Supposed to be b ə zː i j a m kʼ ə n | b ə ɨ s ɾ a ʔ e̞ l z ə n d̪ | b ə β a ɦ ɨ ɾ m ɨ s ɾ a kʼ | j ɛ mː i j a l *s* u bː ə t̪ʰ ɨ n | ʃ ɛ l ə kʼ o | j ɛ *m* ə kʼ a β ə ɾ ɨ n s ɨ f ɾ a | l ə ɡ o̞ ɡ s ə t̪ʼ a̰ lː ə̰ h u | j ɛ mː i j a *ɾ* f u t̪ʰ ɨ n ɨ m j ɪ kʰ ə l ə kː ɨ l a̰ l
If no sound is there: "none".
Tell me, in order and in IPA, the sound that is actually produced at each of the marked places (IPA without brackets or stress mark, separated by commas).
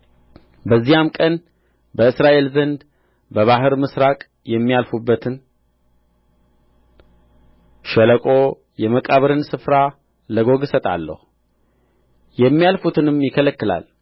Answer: f, m, l